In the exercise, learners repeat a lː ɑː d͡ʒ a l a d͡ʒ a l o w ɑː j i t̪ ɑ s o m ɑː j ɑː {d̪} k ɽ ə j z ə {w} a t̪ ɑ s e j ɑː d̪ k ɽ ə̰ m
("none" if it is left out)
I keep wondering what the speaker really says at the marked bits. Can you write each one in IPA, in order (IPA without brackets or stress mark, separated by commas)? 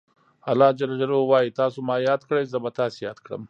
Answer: d̪, b